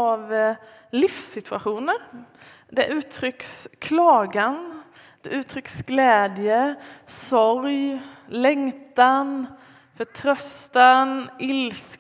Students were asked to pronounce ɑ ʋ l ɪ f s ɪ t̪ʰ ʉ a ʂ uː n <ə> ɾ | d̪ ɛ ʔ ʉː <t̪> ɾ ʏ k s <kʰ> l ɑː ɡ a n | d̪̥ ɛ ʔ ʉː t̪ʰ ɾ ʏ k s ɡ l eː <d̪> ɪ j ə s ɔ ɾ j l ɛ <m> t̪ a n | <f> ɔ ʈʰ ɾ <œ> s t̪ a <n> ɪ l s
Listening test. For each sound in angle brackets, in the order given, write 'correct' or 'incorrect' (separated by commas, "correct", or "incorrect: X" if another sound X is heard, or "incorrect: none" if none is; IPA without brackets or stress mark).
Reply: correct, incorrect: t̪ʰ, correct, correct, incorrect: ŋ, correct, correct, correct